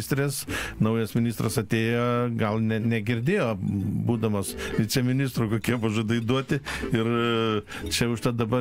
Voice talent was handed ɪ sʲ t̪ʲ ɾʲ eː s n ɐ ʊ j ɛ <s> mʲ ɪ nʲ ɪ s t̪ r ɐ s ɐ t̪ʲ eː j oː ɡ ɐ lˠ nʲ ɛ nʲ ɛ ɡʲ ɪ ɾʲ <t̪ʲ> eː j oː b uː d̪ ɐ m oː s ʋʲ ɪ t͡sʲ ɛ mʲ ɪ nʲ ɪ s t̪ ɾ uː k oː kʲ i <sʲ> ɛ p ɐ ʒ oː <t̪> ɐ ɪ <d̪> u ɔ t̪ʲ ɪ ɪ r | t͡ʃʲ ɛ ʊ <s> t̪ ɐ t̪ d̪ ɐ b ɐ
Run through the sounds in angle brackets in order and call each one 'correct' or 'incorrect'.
correct, incorrect: d̪ʲ, incorrect: none, incorrect: d̪, correct, incorrect: ʃ

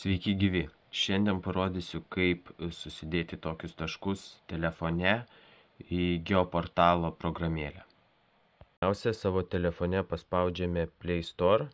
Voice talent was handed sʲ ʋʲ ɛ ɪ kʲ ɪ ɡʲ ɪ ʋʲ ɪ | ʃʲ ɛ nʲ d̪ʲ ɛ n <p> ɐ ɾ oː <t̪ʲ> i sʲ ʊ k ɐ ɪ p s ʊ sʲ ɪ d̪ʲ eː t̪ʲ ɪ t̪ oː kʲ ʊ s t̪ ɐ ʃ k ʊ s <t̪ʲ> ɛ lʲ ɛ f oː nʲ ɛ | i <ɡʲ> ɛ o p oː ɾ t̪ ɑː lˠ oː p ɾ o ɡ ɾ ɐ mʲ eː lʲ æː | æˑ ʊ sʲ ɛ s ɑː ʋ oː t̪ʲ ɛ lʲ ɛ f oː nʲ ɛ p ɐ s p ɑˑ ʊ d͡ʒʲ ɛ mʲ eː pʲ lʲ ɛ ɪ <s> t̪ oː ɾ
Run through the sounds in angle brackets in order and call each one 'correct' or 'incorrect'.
correct, incorrect: d̪ʲ, correct, correct, correct

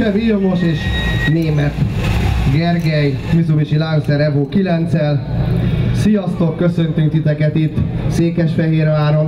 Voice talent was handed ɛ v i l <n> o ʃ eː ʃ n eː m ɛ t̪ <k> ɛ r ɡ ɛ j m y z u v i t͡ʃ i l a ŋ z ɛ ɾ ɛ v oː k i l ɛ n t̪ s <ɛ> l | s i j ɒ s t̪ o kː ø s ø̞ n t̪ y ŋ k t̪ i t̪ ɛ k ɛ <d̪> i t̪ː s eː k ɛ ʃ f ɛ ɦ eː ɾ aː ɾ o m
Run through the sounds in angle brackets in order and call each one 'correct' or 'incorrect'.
incorrect: m, incorrect: ɡ, correct, incorrect: t̪

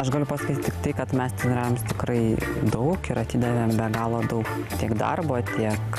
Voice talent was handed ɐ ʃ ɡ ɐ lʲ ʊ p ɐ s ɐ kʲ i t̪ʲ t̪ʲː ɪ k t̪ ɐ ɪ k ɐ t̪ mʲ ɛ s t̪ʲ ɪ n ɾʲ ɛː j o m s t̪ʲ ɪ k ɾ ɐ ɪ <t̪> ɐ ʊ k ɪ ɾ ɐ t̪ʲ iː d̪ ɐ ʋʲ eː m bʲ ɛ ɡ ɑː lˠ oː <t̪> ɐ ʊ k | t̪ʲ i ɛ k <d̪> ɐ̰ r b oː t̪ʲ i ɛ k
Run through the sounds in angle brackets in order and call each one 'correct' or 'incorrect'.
incorrect: d̪, incorrect: d̪, correct

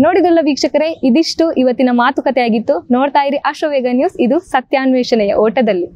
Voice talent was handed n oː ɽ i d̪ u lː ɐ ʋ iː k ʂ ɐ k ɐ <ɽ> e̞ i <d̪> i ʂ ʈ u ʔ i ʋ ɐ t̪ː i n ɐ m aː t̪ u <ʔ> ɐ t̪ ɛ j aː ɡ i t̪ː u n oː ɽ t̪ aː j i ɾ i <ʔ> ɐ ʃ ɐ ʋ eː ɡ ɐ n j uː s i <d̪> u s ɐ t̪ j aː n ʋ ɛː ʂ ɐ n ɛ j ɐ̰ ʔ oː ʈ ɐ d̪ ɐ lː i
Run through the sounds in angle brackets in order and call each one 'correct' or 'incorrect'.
incorrect: ɾ, correct, incorrect: k, correct, correct

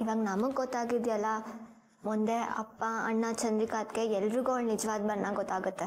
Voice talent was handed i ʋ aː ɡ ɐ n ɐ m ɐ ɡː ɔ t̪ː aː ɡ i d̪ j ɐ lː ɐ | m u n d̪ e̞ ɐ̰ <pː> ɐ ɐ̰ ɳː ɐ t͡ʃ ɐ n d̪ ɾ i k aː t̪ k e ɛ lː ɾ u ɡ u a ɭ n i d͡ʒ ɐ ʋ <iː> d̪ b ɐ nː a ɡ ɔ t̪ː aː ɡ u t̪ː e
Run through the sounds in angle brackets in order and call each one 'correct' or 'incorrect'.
correct, incorrect: aː

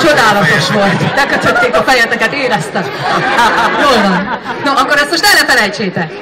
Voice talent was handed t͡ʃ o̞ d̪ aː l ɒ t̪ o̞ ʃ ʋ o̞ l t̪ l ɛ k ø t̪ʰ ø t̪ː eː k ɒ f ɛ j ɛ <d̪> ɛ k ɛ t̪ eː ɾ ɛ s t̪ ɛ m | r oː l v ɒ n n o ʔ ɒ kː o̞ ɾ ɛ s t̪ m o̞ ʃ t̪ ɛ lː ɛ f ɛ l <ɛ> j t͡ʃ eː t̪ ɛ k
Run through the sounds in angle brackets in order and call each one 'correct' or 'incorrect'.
incorrect: t̪, correct

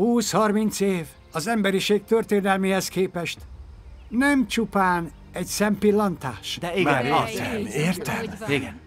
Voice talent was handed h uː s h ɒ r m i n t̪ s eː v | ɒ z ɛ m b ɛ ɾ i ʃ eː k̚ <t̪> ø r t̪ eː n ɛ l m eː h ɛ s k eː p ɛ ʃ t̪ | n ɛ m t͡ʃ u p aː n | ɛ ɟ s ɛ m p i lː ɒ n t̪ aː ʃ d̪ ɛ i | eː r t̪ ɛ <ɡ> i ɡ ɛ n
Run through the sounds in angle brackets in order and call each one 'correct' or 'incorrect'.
correct, incorrect: none

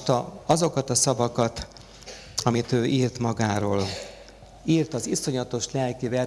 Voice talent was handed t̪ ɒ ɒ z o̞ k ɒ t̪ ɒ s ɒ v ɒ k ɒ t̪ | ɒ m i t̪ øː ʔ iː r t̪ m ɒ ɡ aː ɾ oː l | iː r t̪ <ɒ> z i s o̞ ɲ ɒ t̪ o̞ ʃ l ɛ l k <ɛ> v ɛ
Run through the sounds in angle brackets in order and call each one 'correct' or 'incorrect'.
correct, incorrect: i

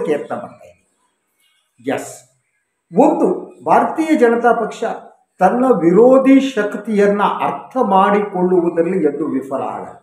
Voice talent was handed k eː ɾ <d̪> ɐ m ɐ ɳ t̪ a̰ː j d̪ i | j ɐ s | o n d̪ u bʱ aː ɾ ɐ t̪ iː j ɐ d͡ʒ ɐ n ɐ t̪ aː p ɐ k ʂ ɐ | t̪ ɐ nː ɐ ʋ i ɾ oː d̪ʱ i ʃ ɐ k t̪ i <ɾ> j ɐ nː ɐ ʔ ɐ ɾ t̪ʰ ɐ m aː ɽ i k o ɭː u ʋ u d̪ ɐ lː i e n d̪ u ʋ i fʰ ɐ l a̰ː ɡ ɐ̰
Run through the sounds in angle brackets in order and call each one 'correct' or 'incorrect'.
incorrect: t̪, incorrect: none

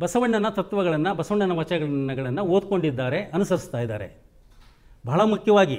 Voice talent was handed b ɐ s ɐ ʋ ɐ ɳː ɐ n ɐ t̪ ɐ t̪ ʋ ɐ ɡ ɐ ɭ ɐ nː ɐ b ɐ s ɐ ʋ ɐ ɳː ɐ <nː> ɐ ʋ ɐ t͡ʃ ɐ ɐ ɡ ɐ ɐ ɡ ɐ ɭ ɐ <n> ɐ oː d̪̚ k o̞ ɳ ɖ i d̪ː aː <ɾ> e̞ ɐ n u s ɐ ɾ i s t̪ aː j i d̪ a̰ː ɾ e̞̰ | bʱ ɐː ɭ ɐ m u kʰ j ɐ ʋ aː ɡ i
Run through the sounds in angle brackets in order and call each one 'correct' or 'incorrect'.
incorrect: n, incorrect: nː, correct

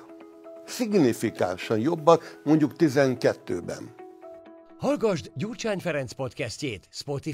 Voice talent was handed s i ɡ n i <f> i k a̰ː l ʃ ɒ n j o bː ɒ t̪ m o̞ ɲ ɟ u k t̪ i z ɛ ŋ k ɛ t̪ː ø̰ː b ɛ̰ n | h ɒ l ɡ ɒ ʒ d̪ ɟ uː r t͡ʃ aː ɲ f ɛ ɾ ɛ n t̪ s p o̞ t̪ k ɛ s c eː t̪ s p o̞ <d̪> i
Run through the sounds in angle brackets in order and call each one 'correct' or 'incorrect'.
correct, incorrect: t̪

